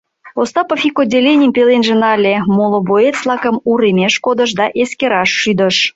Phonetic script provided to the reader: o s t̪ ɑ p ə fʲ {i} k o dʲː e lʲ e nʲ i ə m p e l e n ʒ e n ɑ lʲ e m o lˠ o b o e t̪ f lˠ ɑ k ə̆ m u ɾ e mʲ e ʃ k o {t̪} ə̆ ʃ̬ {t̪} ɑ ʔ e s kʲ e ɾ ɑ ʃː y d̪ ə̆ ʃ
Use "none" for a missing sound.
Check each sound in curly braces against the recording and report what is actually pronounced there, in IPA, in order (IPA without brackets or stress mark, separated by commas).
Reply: i, d̪, d̪